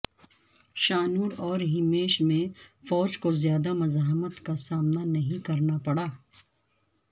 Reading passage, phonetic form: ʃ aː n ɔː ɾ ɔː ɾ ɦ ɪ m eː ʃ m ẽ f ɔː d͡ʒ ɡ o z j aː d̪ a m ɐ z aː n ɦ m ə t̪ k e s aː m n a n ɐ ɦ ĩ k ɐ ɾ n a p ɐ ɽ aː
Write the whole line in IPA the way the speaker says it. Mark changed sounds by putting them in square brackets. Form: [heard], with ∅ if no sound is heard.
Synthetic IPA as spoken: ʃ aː n [uː] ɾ ɔː ɾ ɦ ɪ m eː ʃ m ẽ f ɔː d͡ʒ [k] o z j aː d̪ a m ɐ z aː [∅] ɦ m ə t̪ k [a] s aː m n a n ɐ ɦ ĩ k ɐ ɾ n a p ɐ ɽ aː

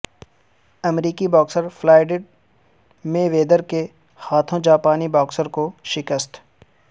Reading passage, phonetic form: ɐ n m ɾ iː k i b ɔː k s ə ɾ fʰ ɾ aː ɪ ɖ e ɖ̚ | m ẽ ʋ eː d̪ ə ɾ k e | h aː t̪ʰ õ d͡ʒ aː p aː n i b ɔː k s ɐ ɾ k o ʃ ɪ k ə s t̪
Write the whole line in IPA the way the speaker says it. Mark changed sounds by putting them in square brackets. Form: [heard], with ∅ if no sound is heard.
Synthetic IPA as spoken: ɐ [∅] m ɾ iː k i b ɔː k s ə ɾ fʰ [l] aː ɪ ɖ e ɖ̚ | m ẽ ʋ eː d̪ ə ɾ k e | h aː t̪ʰ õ d͡ʒ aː p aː n i b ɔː k s [ə] ɾ k o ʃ ɪ k ə s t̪

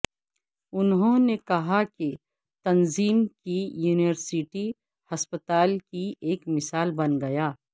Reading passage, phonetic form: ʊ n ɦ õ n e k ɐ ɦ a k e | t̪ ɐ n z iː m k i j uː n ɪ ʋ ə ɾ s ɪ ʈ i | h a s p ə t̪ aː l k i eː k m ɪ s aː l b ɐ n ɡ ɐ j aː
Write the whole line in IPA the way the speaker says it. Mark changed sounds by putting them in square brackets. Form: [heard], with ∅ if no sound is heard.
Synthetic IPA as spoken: ʊ n ɦ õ n e k ɐ ɦ a k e | t̪ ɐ n z iː m k i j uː n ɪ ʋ ə ɾ s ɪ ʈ i | h [ɐ] s p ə t̪ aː l k i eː k m ɪ s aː l b ɐ n ɡ ɐ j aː

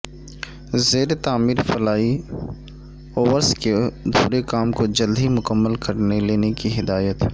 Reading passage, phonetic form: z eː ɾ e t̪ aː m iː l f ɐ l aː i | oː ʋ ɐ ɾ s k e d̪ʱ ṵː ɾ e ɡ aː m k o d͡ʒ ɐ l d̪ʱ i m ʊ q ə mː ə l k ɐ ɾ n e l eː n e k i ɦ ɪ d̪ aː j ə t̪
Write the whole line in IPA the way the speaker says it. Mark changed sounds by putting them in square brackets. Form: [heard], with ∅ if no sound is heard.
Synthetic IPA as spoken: z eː ɾ e t̪ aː m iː [ɾ] f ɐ l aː i | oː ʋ [ə] ɾ s k e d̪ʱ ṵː ɾ e [k] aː m k o d͡ʒ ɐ l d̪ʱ i m ʊ [k] ə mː ə l k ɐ ɾ n e l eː n e k i ɦ ɪ d̪ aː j ə t̪

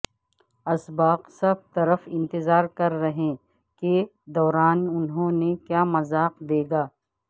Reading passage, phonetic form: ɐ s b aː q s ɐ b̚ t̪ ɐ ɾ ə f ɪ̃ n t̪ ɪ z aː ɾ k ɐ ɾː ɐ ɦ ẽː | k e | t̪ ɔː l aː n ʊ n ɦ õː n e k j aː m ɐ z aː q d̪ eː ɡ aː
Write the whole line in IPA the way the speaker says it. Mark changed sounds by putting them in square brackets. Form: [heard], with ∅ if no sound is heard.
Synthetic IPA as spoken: ɐ s b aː q s ɐ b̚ t̪ ɐ ɾ ə f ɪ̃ n t̪ ɪ z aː ɾ k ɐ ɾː ɐ ɦ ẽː | k e | [d̪] ɔː [ɾ] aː n ʊ n ɦ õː n e k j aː m ɐ z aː q d̪ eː ɡ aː

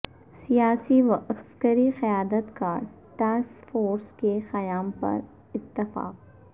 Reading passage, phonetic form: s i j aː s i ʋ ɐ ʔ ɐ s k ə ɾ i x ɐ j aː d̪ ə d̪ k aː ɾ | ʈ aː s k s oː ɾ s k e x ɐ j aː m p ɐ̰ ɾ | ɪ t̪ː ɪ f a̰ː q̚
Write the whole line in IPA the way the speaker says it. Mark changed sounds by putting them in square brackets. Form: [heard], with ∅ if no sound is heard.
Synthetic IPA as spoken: s i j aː s i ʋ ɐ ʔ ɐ s k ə ɾ i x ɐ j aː d̪ ə [t̪] k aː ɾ | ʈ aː s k [f] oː ɾ s k e x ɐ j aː m p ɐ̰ ɾ | ɪ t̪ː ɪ f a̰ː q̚

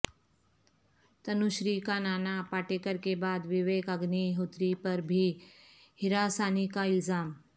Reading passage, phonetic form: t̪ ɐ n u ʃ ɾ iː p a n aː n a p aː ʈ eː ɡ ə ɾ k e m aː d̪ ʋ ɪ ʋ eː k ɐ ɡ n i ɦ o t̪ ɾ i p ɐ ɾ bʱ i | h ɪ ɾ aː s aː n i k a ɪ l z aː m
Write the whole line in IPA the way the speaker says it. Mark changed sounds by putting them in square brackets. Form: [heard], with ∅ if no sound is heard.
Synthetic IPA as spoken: t̪ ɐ n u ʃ ɾ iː [k] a n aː n a p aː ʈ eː [k] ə ɾ k e [b] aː d̪ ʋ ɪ ʋ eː k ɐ ɡ n i ɦ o t̪ ɾ i p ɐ ɾ bʱ i | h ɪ ɾ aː s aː n i k a ɪ l z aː m

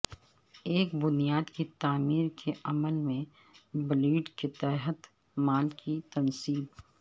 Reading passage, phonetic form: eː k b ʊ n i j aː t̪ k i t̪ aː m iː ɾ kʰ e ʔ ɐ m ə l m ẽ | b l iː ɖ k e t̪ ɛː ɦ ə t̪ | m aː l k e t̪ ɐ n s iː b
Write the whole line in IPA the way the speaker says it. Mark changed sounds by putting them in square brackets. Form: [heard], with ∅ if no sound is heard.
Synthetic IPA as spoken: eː k b ʊ n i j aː [d̪] k i t̪ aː m iː ɾ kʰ e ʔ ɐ m ə l m ẽ | b l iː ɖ k e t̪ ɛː ɦ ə t̪ | m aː l k [i] t̪ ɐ n s iː b

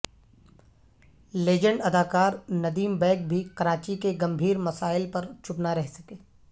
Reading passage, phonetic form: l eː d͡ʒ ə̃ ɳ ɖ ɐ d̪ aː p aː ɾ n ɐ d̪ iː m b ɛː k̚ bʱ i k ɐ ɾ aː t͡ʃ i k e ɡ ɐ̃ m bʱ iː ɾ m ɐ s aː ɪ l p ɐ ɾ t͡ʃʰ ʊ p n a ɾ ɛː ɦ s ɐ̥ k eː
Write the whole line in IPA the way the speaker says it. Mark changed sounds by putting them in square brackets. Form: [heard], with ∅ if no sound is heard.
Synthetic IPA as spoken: l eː d͡ʒ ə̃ ɳ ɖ ɐ d̪ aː [k] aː ɾ n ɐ d̪ iː m b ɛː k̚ bʱ i k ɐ ɾ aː t͡ʃ i k e ɡ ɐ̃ m bʱ iː ɾ m ɐ s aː ɪ l p ɐ ɾ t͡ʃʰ ʊ p n a ɾ [ɛ] ɦ s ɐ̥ k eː

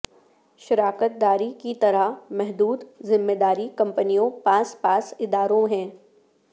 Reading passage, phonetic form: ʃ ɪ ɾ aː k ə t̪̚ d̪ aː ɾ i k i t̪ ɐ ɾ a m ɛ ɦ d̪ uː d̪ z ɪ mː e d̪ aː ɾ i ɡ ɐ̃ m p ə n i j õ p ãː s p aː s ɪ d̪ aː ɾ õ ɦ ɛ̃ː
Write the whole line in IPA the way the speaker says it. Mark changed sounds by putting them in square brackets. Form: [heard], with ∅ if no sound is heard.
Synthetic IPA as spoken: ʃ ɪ ɾ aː k ə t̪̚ d̪ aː ɾ i k i t̪ ɐ ɾ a m ɛ ɦ d̪ uː d̪ z ɪ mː e d̪ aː ɾ i [k] ɐ̃ m p ə n i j õ p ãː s p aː s ɪ d̪ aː ɾ õ ɦ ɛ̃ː

